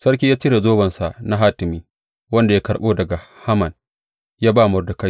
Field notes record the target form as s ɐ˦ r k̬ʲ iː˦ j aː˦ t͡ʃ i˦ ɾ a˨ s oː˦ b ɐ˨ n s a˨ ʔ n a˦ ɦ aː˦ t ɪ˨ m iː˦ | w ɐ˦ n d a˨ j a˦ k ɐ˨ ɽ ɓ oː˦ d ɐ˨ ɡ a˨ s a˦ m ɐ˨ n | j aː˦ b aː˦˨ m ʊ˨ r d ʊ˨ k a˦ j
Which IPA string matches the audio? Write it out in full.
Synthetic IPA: s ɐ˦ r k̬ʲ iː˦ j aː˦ t͡ʃ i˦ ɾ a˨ z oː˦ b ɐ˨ n s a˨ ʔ n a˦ ɦ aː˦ t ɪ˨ m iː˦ | w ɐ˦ n d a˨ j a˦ k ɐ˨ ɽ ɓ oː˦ d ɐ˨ ɡ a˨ h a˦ m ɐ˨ n | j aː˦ b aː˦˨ m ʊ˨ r d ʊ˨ k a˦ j